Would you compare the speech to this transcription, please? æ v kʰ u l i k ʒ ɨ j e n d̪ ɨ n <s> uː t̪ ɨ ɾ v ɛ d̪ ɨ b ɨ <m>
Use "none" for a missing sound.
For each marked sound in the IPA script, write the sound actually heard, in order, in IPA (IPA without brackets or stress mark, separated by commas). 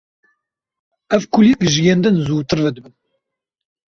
z, n